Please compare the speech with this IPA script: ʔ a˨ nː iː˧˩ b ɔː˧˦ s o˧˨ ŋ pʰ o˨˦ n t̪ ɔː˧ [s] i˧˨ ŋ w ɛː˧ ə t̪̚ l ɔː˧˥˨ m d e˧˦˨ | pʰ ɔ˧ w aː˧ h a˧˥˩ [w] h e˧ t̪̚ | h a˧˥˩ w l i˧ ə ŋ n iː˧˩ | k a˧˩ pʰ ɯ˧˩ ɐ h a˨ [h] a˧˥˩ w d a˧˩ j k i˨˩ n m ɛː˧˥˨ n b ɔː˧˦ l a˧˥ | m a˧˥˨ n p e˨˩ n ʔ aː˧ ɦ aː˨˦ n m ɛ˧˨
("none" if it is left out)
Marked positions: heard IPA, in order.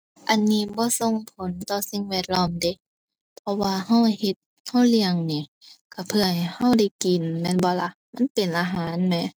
s, w, h

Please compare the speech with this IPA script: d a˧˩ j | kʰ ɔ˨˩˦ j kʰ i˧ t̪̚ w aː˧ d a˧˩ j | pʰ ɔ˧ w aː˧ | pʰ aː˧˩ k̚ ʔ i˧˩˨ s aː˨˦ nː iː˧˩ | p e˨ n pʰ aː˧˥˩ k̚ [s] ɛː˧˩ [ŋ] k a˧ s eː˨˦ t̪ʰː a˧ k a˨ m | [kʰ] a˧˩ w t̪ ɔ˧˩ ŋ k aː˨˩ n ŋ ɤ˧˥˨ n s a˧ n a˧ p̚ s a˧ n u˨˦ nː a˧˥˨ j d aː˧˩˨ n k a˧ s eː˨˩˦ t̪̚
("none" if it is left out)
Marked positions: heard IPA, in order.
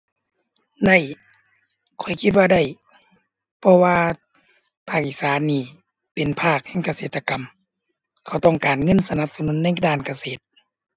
h, ŋ, kʰ

